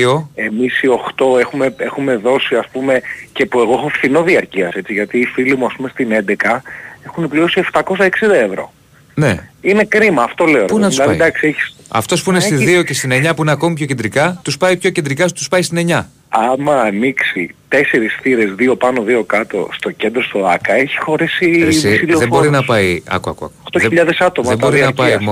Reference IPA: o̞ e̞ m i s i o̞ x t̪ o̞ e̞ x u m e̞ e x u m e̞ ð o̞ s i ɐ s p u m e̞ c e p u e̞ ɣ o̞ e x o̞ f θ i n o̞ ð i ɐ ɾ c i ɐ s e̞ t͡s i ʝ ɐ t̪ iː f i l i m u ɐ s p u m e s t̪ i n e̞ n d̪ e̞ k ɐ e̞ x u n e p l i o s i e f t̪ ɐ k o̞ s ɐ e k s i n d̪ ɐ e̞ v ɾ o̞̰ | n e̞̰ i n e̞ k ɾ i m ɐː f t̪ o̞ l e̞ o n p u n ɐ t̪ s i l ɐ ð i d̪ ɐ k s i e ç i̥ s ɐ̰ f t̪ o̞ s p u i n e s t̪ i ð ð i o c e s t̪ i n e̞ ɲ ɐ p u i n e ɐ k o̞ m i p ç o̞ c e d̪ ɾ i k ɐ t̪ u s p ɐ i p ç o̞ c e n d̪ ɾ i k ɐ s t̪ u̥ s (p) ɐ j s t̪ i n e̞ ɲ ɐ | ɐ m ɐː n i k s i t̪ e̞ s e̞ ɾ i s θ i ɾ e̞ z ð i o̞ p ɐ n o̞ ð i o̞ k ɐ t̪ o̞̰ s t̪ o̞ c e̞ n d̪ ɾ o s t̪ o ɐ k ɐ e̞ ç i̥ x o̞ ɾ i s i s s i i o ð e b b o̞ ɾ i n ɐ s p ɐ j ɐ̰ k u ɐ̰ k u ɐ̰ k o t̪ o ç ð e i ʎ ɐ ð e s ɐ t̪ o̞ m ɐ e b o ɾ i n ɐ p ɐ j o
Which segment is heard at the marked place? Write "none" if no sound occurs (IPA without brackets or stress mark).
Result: p